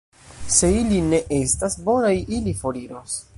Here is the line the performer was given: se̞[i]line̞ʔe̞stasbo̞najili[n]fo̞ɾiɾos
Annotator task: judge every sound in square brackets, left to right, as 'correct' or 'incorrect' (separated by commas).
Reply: correct, incorrect